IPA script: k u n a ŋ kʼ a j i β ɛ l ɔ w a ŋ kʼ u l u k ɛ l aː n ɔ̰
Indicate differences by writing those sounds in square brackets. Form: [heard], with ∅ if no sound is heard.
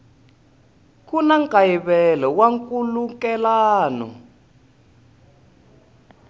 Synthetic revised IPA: k u n a ŋ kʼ a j i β ɛ l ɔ w a ŋ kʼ u l u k ɛ l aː n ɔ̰